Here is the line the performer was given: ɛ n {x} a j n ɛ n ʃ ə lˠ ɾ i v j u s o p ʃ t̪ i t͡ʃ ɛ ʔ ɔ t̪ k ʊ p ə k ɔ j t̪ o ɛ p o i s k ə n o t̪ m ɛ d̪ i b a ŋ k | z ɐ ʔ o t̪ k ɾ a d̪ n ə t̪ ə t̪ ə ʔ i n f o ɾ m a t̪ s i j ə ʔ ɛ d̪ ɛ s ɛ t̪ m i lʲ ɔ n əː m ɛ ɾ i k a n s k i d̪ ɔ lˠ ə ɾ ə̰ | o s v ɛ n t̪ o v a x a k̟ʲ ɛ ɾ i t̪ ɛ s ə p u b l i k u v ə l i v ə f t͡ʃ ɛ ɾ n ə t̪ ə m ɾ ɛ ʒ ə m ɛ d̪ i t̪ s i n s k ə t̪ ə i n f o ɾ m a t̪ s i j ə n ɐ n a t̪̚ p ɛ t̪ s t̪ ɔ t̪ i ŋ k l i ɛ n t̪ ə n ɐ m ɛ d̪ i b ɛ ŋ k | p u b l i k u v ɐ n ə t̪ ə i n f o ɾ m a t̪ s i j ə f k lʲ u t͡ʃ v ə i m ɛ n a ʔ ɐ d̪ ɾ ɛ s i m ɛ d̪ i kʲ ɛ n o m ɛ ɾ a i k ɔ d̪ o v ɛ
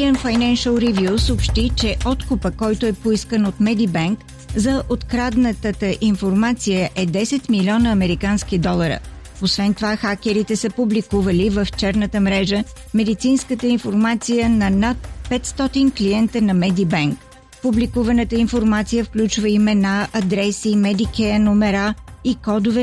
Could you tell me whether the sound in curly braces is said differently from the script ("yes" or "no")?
yes